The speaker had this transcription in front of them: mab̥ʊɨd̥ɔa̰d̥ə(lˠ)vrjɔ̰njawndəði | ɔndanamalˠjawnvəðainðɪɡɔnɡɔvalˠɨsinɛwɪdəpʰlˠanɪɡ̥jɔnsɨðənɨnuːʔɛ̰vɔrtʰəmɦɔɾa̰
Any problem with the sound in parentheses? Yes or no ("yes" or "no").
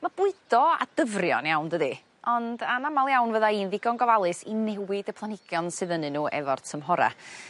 yes